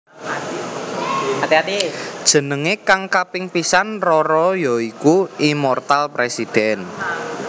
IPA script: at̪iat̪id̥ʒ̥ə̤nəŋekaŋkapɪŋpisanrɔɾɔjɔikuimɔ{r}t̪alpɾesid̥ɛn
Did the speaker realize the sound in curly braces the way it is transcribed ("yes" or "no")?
yes